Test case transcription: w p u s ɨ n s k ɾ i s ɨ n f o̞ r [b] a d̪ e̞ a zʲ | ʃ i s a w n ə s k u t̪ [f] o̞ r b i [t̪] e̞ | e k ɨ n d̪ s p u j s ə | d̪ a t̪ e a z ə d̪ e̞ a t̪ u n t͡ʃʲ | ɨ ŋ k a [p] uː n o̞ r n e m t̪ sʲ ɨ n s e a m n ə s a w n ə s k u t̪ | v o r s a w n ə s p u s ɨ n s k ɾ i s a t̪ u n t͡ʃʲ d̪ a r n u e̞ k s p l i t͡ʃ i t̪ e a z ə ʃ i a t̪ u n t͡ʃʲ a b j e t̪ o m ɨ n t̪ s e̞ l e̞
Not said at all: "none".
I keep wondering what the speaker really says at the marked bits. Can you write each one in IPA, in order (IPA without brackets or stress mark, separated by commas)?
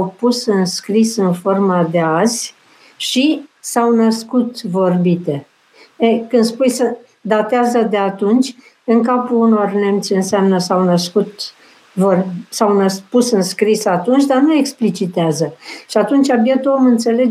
m, v, t̪, p